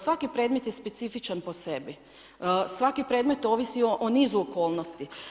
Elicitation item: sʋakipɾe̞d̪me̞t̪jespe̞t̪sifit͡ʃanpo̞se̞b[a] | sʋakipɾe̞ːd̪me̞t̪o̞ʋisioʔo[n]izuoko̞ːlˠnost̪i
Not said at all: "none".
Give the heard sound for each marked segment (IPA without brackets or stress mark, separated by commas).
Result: i, n